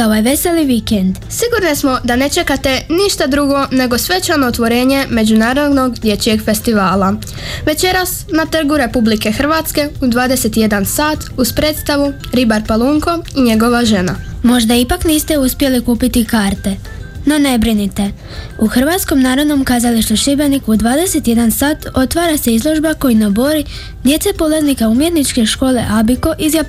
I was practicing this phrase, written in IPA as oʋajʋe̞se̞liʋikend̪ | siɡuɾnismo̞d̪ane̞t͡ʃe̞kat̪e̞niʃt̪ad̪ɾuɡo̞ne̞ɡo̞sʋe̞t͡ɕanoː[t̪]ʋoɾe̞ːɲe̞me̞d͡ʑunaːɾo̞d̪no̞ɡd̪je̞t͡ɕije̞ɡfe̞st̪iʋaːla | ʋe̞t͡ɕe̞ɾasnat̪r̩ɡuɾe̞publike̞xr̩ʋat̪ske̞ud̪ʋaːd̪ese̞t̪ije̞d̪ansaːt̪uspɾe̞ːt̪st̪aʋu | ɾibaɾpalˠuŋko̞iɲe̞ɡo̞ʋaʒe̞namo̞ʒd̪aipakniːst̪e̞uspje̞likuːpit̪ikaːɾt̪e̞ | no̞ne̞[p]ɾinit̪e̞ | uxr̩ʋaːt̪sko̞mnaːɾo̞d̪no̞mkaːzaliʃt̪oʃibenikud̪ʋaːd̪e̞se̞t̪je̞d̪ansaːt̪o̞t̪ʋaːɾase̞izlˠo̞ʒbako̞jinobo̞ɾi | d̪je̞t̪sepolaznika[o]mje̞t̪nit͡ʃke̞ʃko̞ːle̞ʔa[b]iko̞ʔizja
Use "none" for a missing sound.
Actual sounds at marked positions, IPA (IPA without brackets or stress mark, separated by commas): t̪, b, u, b